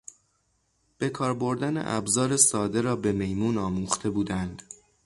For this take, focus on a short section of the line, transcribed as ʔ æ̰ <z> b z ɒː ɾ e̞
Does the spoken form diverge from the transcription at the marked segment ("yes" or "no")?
yes